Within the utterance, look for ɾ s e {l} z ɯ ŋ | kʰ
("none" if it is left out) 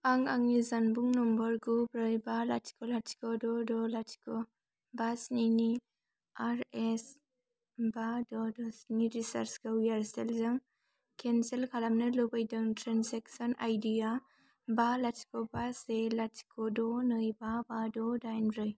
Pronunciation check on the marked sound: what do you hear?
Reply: l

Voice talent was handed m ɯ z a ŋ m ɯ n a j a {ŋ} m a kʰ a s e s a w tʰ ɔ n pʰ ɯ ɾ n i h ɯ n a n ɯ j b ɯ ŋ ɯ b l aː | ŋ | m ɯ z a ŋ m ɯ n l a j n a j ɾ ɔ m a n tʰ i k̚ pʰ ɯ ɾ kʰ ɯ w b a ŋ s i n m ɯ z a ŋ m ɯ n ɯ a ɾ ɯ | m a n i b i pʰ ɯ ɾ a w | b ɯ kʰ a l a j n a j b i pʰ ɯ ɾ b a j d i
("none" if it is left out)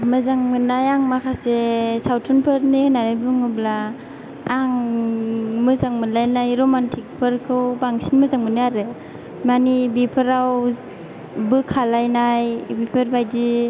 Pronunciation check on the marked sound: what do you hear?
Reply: ŋ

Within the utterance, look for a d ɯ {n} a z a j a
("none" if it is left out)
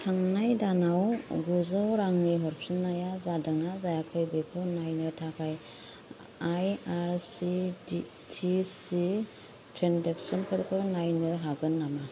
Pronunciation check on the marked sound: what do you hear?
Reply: ŋ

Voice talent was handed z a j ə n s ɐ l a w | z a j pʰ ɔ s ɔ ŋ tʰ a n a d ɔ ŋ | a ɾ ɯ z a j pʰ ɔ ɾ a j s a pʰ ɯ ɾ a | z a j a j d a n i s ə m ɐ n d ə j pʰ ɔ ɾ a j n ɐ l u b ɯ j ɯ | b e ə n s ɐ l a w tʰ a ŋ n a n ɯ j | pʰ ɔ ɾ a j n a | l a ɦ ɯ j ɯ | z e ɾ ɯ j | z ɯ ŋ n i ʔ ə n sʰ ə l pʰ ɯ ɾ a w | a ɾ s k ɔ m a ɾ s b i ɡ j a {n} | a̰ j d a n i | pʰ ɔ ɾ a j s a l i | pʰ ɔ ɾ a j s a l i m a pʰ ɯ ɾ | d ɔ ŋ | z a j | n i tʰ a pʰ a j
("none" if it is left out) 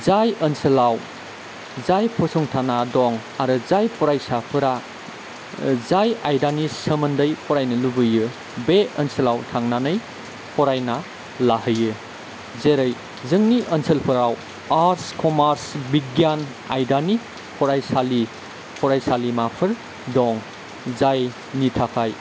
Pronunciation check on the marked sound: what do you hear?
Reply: n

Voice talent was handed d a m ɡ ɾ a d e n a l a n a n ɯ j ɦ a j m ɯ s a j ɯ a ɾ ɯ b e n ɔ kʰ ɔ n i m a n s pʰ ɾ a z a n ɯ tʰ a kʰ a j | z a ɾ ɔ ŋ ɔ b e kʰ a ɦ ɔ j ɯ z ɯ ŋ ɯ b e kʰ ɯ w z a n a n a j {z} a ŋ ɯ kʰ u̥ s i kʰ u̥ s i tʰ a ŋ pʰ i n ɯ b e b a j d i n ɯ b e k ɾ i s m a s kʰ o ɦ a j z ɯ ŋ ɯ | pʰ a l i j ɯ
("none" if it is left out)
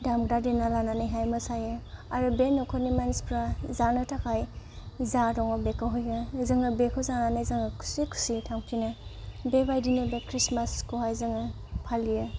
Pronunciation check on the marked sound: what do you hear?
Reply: z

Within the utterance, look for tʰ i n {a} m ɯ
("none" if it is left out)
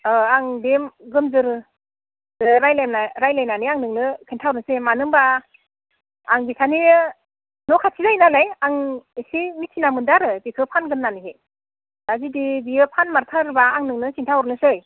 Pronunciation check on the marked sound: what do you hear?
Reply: a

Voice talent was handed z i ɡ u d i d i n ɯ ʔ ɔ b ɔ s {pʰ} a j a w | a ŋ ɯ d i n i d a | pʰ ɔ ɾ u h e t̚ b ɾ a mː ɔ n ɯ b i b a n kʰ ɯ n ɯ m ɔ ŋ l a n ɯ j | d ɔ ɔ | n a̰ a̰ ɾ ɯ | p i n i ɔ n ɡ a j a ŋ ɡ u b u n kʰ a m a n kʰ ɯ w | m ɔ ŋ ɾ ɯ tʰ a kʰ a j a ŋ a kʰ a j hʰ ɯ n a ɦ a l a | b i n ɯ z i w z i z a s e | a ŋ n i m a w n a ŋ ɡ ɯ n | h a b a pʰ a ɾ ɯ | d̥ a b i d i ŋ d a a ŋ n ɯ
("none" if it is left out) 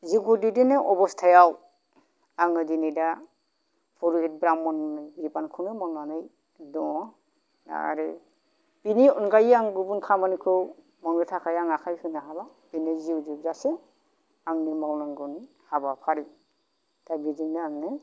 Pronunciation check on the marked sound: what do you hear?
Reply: tʰ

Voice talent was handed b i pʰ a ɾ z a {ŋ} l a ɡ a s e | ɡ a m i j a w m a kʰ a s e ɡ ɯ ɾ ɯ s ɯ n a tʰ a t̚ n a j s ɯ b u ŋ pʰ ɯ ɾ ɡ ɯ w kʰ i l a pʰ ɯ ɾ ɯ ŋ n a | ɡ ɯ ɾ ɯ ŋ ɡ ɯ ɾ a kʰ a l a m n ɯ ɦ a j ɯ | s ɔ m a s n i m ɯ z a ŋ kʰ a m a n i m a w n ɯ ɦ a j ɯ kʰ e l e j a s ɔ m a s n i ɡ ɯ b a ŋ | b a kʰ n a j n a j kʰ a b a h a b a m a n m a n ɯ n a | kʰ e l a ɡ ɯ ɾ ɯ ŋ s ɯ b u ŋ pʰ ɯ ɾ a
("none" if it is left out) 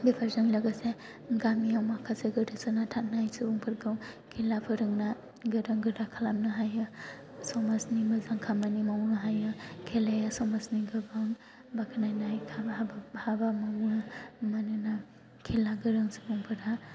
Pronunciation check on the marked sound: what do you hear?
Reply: ŋ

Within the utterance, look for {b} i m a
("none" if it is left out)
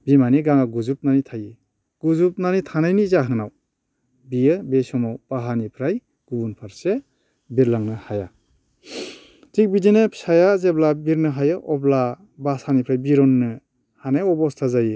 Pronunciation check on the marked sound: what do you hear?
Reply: b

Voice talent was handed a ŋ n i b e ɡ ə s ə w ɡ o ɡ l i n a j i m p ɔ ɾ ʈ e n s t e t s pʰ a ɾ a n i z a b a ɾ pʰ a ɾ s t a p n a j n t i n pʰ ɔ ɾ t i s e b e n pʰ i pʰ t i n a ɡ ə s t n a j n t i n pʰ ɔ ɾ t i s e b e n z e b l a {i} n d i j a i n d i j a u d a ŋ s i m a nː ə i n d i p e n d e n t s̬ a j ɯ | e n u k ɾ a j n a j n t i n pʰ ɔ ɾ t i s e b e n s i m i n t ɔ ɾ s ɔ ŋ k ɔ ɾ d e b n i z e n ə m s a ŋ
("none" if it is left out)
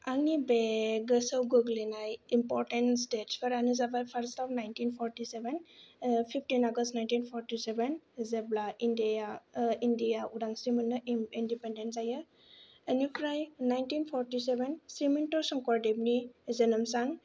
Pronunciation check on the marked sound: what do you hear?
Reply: i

